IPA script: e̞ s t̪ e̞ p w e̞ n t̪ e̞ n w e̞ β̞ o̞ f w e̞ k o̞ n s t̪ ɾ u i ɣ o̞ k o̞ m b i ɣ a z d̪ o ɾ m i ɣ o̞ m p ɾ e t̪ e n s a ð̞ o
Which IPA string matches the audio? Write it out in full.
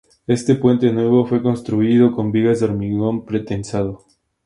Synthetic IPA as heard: e̞ s t̪ e̞ p w e̞ n t̪ e̞ n w e̞ β̞ o̞ f w e̞ k o̞ n s t̪ ɾ u i ð o̞ k o̞ m b i ɣ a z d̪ o ɾ m i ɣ o̞ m p ɾ e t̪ e n s a ð̞ o